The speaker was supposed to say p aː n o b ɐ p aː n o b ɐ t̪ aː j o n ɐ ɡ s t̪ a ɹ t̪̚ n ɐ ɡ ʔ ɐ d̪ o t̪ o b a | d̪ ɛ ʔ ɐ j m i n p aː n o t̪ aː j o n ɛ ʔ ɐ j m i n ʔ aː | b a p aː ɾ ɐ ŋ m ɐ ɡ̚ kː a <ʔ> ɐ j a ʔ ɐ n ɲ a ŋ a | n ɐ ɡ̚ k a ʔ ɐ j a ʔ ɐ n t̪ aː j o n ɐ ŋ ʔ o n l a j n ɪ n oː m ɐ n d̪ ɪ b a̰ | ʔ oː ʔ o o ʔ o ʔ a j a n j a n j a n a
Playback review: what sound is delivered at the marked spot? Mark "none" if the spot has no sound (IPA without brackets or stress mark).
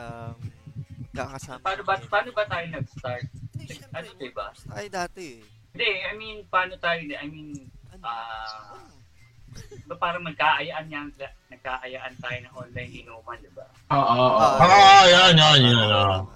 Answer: ʔ